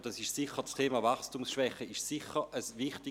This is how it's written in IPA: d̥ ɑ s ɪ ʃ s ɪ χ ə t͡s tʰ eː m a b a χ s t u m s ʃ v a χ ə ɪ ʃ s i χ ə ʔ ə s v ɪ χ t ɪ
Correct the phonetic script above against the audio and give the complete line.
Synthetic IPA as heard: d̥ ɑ s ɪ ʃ s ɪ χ ə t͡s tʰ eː m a v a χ s t u m s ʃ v ɛ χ ə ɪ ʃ s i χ ə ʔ ə s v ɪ χ t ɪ